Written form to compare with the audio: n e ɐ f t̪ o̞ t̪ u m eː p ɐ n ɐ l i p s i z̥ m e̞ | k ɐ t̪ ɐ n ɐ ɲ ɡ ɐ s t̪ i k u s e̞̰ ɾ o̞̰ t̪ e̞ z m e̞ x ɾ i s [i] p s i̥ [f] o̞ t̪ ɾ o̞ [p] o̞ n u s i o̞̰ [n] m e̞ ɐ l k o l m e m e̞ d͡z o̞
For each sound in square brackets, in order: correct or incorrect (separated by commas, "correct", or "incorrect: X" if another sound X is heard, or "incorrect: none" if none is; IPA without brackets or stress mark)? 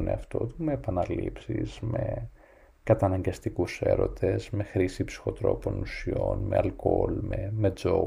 correct, incorrect: x, correct, correct